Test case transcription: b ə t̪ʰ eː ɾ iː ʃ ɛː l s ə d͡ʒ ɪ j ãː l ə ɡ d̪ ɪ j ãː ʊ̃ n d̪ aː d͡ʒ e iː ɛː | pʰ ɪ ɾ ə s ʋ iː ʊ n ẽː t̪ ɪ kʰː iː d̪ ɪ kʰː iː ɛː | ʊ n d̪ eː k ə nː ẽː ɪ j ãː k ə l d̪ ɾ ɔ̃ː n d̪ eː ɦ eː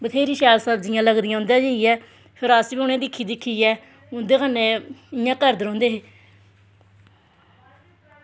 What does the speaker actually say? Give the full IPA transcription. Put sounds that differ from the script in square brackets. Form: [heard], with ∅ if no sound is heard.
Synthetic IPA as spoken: b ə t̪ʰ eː ɾ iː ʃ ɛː l s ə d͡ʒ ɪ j ãː l ə ɡ d̪ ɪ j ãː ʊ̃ n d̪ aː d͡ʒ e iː ɛː | pʰ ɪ ɾ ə s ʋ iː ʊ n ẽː [d̪] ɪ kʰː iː d̪ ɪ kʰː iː ɛː | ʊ n d̪ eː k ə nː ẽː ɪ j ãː k ə [ɾ] d̪ ɾ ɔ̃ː n d̪ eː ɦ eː